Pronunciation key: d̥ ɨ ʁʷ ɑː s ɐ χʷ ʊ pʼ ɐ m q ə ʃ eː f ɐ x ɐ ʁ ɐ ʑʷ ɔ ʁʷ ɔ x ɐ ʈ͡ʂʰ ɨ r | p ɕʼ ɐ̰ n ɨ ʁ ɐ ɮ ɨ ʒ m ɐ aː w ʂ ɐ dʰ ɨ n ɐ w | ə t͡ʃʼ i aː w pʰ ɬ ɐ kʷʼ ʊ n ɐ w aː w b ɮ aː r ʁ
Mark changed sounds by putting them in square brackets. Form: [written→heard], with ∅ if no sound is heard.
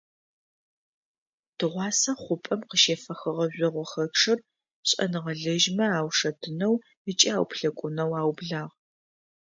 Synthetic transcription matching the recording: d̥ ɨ ʁʷ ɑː s ɐ χʷ ʊ pʼ ɐ m q ə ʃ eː f ɐ x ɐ ʁ ɐ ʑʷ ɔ ʁʷ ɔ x ɐ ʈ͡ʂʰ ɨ r | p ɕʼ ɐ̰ n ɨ ʁ ɐ ɮ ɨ ʒ m ɐ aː w ʂ ɐ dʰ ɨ n ɐ w | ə t͡ʃʼ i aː w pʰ ɬ ɐ kʷʼ ʊ n ɐ w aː w b ɮ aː [r→∅] ʁ